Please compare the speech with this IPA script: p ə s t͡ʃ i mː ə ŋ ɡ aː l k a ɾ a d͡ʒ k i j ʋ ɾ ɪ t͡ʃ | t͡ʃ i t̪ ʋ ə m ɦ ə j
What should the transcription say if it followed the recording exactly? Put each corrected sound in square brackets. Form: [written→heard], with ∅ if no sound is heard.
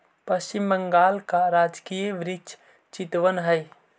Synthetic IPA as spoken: p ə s t͡ʃ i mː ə ŋ ɡ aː l k a ɾ a d͡ʒ k i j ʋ ɾ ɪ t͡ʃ | t͡ʃ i t̪ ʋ ə [m→n] ɦ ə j